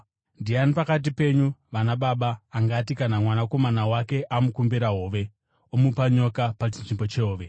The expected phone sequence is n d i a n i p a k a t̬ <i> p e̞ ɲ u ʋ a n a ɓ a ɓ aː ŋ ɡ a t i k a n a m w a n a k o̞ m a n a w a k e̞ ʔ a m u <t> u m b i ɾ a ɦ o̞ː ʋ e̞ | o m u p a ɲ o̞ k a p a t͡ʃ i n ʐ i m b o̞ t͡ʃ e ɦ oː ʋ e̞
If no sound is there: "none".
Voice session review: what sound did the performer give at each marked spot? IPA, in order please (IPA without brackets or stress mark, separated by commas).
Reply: i, k